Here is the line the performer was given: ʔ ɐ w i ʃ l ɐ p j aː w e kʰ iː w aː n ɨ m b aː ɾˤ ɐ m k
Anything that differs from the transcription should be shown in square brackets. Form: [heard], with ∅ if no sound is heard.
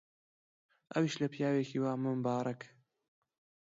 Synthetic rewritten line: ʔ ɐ w i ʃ l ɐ p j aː w e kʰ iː w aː [m] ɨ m b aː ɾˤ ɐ [∅] k